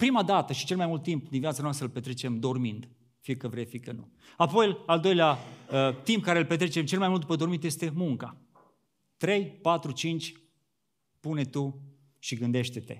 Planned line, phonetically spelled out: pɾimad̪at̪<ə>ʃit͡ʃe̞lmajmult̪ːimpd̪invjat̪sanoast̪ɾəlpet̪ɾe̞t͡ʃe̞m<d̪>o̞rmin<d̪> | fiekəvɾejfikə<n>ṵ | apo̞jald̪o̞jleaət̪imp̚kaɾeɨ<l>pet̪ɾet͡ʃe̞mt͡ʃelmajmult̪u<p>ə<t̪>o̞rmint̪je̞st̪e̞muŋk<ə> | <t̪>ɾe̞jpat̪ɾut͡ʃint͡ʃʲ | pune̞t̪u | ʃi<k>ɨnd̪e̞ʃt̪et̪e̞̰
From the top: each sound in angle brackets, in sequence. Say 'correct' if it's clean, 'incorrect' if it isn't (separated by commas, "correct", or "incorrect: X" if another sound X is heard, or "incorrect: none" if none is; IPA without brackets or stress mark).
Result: correct, correct, correct, correct, correct, correct, incorrect: d̪, incorrect: a, correct, incorrect: ɡ